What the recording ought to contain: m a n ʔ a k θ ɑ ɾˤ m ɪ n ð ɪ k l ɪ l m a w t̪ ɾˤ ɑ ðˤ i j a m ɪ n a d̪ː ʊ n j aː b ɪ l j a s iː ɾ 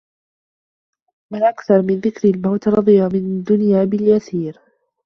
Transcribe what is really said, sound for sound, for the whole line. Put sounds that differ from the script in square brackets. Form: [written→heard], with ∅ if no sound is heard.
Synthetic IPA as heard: m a n ʔ a k θ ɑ ɾˤ m ɪ n ð ɪ k [l→ɾ] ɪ l m a w t̪ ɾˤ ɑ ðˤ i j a m ɪ n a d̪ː ʊ n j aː b ɪ l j a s iː ɾ